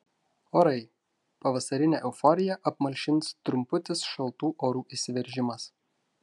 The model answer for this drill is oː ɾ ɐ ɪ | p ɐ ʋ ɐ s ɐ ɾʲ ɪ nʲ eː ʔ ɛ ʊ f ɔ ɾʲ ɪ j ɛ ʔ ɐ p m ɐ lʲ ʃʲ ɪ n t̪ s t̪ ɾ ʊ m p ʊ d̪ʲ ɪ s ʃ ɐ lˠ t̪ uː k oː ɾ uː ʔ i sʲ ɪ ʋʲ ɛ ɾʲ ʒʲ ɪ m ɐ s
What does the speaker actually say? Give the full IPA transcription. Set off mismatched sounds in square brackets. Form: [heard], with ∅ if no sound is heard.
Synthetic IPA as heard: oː ɾ ɐ ɪ | p ɐ ʋ ɐ s ɐ ɾʲ ɪ nʲ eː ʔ ɛ ʊ f ɔ ɾʲ ɪ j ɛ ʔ ɐ p m ɐ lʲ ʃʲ ɪ n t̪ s t̪ ɾ ʊ m p ʊ [t̪ʲ] ɪ s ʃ ɐ lˠ t̪ uː [ʔ] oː ɾ uː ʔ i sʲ ɪ ʋʲ ɛ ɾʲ ʒʲ ɪ m ɐ s